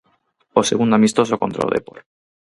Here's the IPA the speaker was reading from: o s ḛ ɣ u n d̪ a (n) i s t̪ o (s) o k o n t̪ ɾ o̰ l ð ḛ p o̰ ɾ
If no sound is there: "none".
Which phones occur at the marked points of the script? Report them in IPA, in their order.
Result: m, s

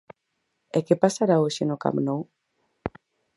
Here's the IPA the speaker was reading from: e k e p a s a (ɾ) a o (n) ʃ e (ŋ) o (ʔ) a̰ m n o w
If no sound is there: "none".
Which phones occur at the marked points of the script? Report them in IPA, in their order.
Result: ɾ, none, n, k

